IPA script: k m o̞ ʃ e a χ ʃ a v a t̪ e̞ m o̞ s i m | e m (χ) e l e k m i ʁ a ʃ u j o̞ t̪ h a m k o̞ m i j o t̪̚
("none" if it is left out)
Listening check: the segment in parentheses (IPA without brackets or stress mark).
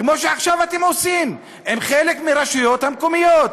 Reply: χ